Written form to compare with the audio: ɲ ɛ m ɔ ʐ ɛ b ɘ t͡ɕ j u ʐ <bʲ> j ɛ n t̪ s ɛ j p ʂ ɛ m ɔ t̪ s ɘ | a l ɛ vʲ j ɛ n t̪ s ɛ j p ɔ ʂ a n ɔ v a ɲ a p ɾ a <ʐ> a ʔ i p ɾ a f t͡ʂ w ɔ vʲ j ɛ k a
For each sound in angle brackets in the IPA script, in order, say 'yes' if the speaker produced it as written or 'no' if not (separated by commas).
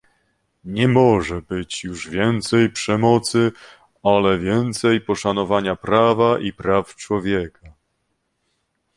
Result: no, no